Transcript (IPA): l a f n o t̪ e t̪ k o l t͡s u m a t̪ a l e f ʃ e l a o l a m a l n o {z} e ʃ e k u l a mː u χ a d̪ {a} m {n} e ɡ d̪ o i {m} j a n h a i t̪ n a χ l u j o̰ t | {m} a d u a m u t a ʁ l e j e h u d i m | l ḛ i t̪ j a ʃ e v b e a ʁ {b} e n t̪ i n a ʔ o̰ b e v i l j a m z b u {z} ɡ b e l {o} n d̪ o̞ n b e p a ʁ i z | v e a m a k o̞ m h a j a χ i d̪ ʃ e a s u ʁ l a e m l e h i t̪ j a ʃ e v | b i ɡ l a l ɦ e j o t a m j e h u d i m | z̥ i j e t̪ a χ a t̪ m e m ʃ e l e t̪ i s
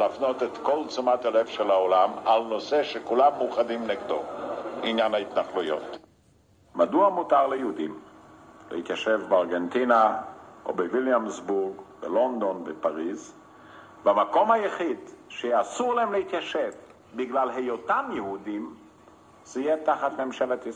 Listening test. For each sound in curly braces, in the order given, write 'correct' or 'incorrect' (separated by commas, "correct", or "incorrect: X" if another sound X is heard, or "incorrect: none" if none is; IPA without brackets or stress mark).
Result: incorrect: s, incorrect: i, correct, incorrect: n, correct, incorrect: ɡ, incorrect: ʁ, correct